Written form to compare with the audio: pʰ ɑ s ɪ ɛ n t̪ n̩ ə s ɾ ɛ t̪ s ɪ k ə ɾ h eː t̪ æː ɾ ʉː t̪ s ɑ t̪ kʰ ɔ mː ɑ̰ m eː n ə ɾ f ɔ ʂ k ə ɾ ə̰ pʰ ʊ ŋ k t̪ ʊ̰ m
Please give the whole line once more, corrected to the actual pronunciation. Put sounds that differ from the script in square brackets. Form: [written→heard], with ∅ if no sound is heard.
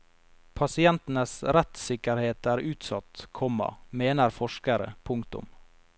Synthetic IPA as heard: pʰ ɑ s ɪ ɛ n t̪ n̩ ə s ɾ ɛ t̪ s ɪ k ə ɾ h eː t̪ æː ɾ ʉː t̪ s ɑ t̪ kʰ ɔ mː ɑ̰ m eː n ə ɾ f ɔ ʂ k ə ɾ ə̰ pʰ ʊ ŋ k t̪ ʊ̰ m

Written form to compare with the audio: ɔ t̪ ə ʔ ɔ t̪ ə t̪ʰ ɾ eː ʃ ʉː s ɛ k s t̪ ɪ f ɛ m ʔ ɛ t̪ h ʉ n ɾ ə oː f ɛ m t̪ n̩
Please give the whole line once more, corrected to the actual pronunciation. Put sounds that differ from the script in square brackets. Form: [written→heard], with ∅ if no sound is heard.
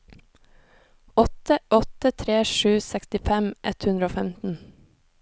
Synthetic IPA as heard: ɔ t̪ ə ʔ ɔ t̪ ə t̪ʰ ɾ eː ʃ ʉː s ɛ k s t̪ ɪ f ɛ m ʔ ɛ t̪ h ʉ n ɾ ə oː f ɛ m t̪ n̩

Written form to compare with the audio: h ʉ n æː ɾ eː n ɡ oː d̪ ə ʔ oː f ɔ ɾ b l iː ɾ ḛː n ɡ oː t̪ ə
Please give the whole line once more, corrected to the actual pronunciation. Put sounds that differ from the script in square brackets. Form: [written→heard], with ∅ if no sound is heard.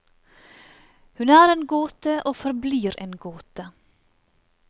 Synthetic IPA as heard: h ʉ n æː ɾ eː n ɡ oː [d̪→t̪] ə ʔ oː f ɔ ɾ b l iː ɾ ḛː n ɡ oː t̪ ə

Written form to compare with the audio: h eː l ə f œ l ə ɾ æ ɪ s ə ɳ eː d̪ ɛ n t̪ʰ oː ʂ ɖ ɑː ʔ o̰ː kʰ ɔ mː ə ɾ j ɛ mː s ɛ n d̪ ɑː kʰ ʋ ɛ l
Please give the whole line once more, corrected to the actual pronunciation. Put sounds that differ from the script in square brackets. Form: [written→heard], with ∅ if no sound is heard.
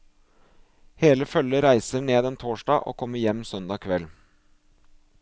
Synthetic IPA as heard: h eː l ə f œ l ə ɾ æ ɪ s ə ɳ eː d̪ ɛ n t̪ʰ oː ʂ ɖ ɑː ʔ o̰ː kʰ ɔ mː ə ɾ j ɛ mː s [ɛ→œ] n d̪ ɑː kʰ ʋ ɛ l

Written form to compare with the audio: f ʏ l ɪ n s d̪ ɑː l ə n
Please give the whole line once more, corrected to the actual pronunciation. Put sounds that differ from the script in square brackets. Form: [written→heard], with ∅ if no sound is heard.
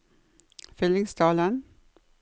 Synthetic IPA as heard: f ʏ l ɪ [n→ŋ] s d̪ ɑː l ə n

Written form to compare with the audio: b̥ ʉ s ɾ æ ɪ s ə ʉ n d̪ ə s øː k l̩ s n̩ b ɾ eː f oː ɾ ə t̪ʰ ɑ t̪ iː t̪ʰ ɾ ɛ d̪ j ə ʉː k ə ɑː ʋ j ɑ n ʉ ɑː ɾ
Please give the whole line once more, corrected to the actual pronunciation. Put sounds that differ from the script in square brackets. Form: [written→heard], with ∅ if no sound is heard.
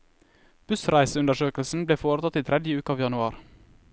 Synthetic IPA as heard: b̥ ʉ s ɾ æ ɪ s ə ʉ n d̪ ə [s→ʃ] øː k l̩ s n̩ b [ɾ→l] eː f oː ɾ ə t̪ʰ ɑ t̪ iː t̪ʰ ɾ ɛ d̪ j ə ʉː k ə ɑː ʋ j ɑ n ʉ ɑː ɾ

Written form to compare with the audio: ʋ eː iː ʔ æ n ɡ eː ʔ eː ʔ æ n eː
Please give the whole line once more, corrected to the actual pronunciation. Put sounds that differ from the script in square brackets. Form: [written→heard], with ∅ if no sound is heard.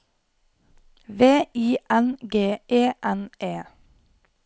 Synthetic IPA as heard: ʋ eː iː ʔ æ n ɡ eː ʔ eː ʔ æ n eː

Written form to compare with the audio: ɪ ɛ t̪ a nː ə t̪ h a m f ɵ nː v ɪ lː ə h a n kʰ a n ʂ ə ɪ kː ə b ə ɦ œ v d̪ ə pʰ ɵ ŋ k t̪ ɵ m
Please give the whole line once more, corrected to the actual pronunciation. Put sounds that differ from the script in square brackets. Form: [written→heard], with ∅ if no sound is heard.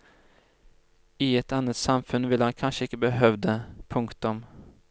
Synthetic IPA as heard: ɪ ɛ t̪ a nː ə t̪ [h→s] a m f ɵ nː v ɪ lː ə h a n kʰ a n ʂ ə ɪ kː ə b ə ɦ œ v d̪ ə pʰ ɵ ŋ k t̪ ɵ m

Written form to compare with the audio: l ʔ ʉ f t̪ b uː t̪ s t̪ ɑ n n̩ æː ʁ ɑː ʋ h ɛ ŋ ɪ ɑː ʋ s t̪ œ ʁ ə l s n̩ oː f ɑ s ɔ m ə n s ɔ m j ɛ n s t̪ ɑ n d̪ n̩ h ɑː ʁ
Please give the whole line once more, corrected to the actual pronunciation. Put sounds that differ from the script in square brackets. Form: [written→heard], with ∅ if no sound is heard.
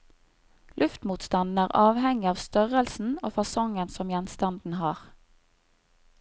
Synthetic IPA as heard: l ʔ ʉ f t̪ [b→m] uː t̪ s t̪ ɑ n n̩ æː ʁ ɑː ʋ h ɛ ŋ ɪ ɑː ʋ s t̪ œ ʁ ə l s n̩ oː f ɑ s ɔ [m→ŋ] ə n s ɔ m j ɛ n s t̪ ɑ n d̪ n̩ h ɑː ʁ

